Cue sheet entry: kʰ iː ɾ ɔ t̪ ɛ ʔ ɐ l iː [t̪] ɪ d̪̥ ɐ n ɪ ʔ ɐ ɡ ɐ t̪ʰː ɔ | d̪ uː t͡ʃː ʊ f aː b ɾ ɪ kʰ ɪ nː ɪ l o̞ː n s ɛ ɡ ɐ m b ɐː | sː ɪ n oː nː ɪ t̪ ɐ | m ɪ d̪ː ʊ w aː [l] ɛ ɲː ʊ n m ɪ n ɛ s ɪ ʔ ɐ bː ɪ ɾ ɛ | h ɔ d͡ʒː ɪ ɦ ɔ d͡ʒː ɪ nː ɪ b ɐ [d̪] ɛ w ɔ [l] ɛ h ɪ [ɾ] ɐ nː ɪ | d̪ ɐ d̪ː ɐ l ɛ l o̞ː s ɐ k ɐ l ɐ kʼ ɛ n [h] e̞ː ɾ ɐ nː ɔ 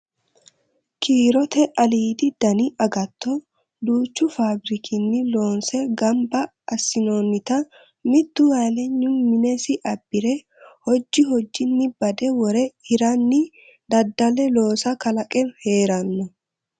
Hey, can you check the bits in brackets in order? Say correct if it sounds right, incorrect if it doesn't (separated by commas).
incorrect, correct, correct, incorrect, correct, correct